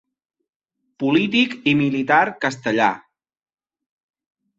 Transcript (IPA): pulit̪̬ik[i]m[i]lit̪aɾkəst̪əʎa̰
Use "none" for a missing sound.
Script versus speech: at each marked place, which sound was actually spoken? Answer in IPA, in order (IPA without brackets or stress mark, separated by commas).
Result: i, i